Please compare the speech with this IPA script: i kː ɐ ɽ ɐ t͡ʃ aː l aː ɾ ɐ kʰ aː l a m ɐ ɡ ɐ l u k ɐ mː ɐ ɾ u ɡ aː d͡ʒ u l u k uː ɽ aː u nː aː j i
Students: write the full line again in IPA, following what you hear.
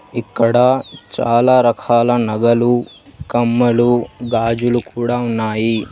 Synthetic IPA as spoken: i kː ɐ ɽ ɐ t͡ʃ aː l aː ɾ ɐ kʰ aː l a n ɐ ɡ ɐ l u k ɐ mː ɐ l u ɡ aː d͡ʒ u l u k uː ɽ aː u nː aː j i